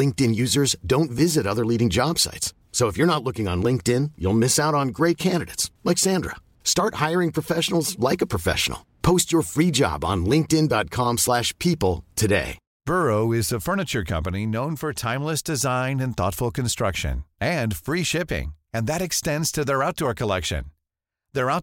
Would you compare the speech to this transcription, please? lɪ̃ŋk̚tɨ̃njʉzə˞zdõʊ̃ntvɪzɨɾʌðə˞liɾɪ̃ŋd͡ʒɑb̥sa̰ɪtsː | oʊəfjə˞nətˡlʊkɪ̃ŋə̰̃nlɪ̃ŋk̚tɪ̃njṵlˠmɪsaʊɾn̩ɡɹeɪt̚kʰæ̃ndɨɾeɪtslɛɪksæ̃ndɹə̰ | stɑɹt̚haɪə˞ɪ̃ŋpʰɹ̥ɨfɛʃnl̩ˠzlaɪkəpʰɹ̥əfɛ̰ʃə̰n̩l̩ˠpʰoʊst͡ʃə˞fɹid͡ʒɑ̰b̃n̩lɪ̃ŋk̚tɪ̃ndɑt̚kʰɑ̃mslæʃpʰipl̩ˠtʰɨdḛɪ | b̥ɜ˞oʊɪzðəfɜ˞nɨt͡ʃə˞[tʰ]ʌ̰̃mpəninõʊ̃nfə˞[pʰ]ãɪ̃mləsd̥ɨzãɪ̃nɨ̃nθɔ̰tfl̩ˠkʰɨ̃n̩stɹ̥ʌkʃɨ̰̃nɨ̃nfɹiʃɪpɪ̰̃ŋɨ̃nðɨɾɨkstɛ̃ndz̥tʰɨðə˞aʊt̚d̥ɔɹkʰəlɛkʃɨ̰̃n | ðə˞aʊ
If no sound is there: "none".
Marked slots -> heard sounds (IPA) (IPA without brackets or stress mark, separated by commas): kʰ, tʰ